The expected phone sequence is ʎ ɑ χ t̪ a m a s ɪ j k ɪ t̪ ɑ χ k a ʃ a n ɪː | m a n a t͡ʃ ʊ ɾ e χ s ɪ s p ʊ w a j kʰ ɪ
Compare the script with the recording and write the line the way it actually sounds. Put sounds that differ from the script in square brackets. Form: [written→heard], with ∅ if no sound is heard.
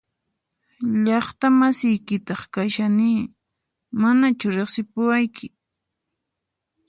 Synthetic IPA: ʎ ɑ χ t̪ a m a s ɪ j k ɪ t̪ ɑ χ k a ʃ a n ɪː | m a n a t͡ʃ ʊ ɾ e χ s ɪ [s→∅] p ʊ w a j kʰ ɪ

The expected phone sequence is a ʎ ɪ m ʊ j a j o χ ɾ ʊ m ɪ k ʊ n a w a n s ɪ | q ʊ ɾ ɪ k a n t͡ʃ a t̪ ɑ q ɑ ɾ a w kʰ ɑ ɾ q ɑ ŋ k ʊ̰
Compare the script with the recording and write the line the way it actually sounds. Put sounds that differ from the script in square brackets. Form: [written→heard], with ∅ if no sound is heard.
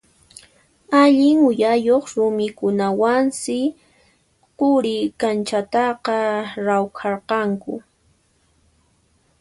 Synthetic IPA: a ʎ ɪ [m→ŋ] ʊ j a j o χ ɾ ʊ m ɪ k ʊ n a w a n s ɪ | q ʊ ɾ ɪ k a n t͡ʃ a t̪ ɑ q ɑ ɾ a w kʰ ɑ ɾ q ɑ ŋ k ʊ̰

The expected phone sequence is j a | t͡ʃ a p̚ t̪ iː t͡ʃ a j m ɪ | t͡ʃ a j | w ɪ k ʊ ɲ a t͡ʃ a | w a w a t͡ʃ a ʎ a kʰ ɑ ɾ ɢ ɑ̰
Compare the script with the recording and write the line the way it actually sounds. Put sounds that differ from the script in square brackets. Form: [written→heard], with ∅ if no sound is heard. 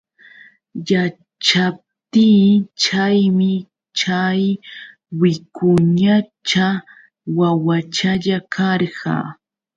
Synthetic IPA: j a | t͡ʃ a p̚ t̪ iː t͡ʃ a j m ɪ | t͡ʃ a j | w ɪ k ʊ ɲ a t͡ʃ a | w a w a t͡ʃ a ʎ a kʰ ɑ ɾ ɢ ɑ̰

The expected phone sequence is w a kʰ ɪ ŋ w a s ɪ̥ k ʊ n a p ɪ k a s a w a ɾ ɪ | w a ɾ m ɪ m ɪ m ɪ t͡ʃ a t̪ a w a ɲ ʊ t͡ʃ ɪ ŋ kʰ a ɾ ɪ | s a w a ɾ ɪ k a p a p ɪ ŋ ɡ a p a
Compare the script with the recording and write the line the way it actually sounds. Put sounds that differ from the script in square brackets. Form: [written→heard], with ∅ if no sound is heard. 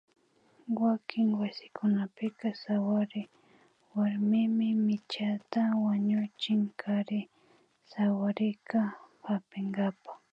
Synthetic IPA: w a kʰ ɪ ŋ w a s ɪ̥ k ʊ n a p ɪ k a s a w a ɾ ɪ | w a ɾ m ɪ m ɪ m ɪ t͡ʃ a t̪ a w a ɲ ʊ t͡ʃ ɪ ŋ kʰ a ɾ ɪ | s a w a ɾ ɪ k a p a p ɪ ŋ ɡ a p a

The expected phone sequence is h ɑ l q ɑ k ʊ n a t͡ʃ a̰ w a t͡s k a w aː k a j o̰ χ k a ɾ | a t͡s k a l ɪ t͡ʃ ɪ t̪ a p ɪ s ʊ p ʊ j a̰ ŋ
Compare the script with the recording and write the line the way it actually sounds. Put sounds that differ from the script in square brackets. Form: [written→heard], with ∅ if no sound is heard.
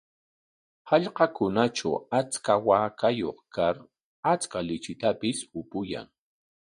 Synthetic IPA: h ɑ [l→ʎ] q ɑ k ʊ n a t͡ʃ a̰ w a t͡s k a w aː k a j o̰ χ k a ɾ | a t͡s k a l ɪ t͡ʃ ɪ t̪ a p ɪ s ʊ p ʊ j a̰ ŋ

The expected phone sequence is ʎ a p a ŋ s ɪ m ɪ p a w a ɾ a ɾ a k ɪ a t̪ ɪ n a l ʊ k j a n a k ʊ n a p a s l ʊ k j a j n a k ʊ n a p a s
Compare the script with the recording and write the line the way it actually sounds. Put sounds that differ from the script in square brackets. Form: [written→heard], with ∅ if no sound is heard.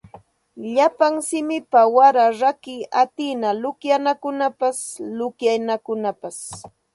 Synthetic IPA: ʎ a p a ŋ s ɪ m ɪ p a w a ɾ a ɾ a k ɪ a t̪ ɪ n a l ʊ k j a n a k ʊ n a p a s l ʊ k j a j n a k ʊ n a p a s

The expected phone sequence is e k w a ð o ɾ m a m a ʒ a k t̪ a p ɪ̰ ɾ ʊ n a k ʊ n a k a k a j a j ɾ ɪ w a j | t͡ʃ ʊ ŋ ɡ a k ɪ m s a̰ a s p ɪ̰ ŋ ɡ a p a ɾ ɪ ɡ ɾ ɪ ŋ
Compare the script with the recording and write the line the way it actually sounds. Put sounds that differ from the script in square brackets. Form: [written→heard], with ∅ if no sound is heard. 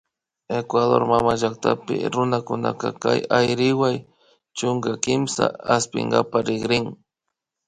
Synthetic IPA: e k w a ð o ɾ m a m a ʒ a k t̪ a p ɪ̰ ɾ ʊ n a k ʊ n a k a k a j a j ɾ ɪ w a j | t͡ʃ ʊ ŋ ɡ a k ɪ m s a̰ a s p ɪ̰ ŋ ɡ a p a ɾ ɪ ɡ ɾ ɪ ŋ

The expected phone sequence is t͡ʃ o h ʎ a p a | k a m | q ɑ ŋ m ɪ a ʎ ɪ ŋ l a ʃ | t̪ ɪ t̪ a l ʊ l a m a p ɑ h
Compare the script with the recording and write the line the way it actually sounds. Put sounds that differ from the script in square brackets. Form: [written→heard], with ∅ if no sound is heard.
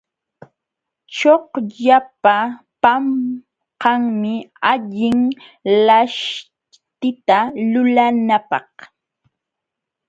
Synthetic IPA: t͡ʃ o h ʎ a p a | [k→p] a m | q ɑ ŋ m ɪ a ʎ ɪ ŋ l a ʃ | t̪ ɪ t̪ a l ʊ l a [m→n] a p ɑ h

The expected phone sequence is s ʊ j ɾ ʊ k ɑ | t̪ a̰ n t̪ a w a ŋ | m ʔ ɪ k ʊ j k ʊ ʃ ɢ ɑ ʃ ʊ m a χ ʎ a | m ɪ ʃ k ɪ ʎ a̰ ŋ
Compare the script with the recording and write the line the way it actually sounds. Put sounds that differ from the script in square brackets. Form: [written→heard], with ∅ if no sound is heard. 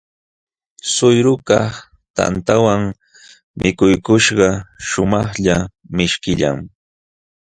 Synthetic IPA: s ʊ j ɾ ʊ k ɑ | t̪ a̰ n t̪ a w a ŋ | m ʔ ɪ k ʊ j k ʊ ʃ ɢ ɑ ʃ ʊ m [a→ɑ] χ ʎ a | m ɪ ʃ k ɪ ʎ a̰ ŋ

